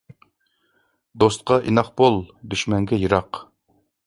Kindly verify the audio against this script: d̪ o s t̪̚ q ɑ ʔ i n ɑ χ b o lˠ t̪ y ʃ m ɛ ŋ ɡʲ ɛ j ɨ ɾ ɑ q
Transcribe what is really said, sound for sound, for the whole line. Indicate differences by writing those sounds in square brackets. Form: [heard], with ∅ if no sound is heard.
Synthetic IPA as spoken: d̪ o s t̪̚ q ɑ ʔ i n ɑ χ b o lˠ [d̪] y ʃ m ɛ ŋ ɡʲ ɛ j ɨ ɾ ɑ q

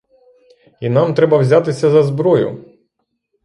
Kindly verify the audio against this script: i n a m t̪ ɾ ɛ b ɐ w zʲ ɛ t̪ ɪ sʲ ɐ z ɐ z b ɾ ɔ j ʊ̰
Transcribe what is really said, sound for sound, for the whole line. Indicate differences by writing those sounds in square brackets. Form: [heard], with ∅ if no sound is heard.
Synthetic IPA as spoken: i n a m t̪ ɾ ɛ b ɐ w zʲ [a] t̪ ɪ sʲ ɐ z ɐ z b ɾ ɔ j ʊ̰

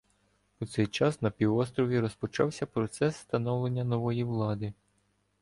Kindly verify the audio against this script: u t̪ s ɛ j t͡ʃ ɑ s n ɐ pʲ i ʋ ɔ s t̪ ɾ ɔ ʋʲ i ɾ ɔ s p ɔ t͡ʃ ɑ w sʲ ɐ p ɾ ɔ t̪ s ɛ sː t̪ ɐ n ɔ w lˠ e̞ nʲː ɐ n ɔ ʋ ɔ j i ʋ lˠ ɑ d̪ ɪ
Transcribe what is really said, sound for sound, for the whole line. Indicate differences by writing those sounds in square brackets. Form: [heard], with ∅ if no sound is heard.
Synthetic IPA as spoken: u t̪ s ɛ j t͡ʃ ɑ s n ɐ pʲ i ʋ ɔ s t̪ ɾ ɔ ʋʲ i ɾ ɔ s p ɔ t͡ʃ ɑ w sʲ ɐ p ɾ ɔ t̪ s ɛ sː t̪ ɐ n ɔ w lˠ e̞ nʲː ɐ n ɔ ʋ ɔ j i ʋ lˠ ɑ d̪ ɪ

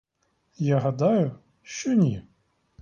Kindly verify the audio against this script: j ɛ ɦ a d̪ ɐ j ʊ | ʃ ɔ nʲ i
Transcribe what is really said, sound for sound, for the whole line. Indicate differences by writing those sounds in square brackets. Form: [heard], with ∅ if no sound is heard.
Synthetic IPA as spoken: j [a] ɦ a d̪ [a] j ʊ | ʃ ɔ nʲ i

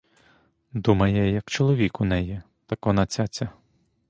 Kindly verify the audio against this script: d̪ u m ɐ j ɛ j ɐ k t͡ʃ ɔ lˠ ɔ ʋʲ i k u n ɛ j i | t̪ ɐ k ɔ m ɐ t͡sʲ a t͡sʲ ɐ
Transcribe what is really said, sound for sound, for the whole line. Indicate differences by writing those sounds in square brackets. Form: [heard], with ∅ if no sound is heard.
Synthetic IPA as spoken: d̪ u m ɐ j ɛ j ɐ k t͡ʃ ɔ lˠ ɔ ʋʲ i k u n ɛ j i | t̪ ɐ k ɔ [n] ɐ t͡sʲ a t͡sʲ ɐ

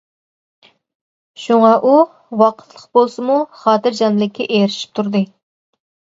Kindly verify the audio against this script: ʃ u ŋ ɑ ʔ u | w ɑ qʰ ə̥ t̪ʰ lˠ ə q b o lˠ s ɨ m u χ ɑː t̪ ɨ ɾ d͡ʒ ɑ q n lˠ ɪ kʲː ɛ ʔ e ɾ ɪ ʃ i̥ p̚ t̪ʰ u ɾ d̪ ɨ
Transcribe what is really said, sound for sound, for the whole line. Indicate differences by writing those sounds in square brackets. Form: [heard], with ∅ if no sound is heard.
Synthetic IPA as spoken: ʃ u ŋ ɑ ʔ u | w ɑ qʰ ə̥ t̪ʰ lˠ ə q b o lˠ s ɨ m u χ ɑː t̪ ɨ ɾ d͡ʒ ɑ [∅] n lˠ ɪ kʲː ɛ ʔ e ɾ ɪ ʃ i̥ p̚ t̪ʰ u ɾ d̪ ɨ

